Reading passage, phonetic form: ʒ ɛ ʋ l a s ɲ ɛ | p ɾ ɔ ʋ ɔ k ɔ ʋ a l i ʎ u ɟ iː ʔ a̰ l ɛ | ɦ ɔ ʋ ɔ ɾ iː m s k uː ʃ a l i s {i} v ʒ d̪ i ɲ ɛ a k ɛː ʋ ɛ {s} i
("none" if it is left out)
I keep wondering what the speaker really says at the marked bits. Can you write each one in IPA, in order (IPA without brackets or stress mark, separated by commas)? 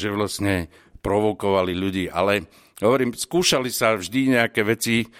a, t͡s